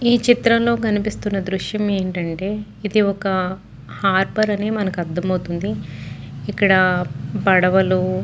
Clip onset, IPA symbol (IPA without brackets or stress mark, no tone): iː